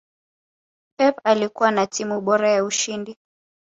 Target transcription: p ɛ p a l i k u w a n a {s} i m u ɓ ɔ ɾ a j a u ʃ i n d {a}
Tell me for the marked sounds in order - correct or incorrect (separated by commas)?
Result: incorrect, incorrect